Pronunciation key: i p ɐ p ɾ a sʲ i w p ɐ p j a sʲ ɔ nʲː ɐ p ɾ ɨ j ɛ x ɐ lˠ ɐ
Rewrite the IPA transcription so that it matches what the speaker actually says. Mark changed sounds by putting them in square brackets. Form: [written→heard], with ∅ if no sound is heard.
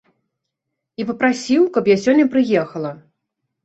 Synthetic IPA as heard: i p ɐ p ɾ a sʲ i w [p→k] ɐ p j a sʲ ɔ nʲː ɐ p ɾ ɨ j ɛ x ɐ lˠ ɐ